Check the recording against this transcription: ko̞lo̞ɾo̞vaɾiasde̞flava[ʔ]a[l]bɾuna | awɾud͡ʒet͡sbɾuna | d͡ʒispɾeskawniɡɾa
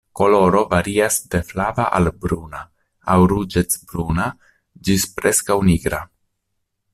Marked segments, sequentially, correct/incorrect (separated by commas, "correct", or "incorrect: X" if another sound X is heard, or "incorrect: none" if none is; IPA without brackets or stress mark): correct, correct